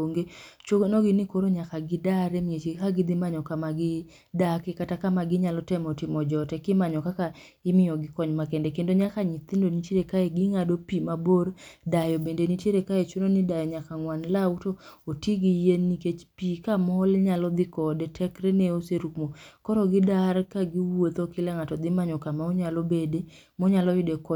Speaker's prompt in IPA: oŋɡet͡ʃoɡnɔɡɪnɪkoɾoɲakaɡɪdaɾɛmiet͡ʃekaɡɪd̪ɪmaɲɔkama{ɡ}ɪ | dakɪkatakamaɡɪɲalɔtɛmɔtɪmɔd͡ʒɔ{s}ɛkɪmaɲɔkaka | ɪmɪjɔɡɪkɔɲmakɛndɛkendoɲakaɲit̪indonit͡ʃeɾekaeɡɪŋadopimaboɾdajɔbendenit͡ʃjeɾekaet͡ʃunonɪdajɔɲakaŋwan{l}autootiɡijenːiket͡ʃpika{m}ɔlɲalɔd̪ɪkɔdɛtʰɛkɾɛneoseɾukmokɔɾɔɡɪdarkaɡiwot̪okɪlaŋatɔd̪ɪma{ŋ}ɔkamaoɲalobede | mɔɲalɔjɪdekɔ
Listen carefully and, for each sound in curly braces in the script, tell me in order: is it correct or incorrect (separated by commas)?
correct, incorrect, correct, correct, incorrect